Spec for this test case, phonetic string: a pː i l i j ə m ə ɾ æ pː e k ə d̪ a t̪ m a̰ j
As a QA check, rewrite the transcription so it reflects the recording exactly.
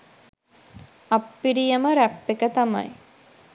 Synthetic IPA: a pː i ɾ i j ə m ə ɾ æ pː e k ə t̪ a m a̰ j

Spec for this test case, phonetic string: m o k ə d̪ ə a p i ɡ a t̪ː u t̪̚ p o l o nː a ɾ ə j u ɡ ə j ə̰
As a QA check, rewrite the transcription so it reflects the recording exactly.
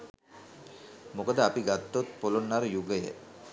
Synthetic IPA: m o k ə d̪ ə a p i ɡ a t̪ː o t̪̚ p o l o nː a ɾ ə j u ɡ ə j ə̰

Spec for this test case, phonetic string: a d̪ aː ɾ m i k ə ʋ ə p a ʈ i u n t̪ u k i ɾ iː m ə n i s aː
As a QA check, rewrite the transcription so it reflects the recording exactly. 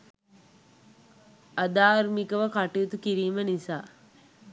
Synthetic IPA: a d̪ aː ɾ m i k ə ʋ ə k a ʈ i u t̪ u k i ɾ iː m ə n i s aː

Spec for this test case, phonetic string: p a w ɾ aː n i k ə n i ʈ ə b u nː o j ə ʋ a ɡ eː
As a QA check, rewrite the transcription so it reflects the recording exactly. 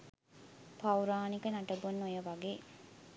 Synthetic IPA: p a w ɾ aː n i k ə n a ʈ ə b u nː o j ə ʋ a ɡ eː

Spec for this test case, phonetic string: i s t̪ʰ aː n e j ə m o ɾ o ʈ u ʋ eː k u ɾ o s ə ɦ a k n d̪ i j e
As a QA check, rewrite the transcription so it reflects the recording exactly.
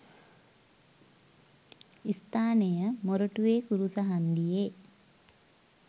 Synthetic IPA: i s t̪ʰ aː n e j ə m o ɾ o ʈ u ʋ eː k u ɾ u s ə ɦ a n d̪ i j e

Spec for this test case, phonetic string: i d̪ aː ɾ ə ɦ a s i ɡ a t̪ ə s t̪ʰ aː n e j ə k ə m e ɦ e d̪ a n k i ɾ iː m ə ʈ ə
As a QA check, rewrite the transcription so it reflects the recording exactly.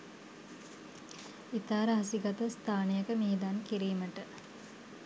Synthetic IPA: i t̪ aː ɾ ə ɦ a s i ɡ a t̪ ə s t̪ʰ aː n e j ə k ə m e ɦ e d̪ a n k i ɾ iː m ə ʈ ə

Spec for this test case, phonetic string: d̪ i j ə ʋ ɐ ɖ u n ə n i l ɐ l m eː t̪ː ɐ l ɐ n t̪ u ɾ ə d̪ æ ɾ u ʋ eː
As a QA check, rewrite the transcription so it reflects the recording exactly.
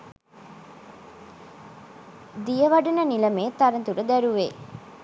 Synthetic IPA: d̪ i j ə ʋ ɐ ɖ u n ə n i l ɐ m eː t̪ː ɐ ɾ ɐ n t̪ u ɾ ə d̪ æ ɾ u ʋ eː

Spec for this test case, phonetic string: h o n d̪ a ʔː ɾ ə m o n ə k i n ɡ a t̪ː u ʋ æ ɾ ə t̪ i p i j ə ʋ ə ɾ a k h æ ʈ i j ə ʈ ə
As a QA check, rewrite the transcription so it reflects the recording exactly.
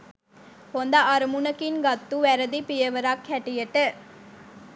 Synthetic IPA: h o n d̪ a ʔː ɾ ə m u n ə k i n ɡ a t̪ː u ʋ æ ɾ ə d̪ i p i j ə ʋ ə ɾ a k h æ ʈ i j ə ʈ ə

